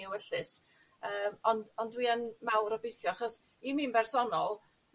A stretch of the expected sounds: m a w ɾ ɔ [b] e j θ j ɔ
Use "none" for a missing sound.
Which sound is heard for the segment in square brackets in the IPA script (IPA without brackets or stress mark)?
b